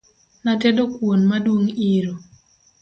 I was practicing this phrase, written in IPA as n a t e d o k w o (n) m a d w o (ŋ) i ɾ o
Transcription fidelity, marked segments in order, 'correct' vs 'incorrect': correct, correct

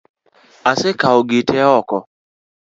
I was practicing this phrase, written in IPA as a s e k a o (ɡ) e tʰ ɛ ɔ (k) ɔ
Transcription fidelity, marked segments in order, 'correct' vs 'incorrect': correct, correct

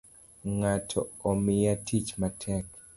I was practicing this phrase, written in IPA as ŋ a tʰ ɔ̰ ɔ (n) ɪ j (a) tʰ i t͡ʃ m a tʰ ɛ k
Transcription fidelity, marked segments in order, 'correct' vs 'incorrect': incorrect: m, correct

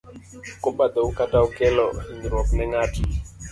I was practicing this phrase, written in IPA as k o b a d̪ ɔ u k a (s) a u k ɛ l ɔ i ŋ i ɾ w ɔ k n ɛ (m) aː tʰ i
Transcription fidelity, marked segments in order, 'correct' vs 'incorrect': incorrect: t, incorrect: ŋ

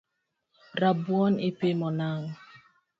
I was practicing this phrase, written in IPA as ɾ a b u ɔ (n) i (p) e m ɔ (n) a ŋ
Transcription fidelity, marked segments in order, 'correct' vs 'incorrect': correct, correct, correct

